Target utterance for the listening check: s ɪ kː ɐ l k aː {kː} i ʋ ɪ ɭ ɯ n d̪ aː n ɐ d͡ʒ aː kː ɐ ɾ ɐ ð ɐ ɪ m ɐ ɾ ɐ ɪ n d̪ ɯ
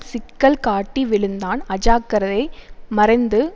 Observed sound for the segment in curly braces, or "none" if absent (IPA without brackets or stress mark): ʈː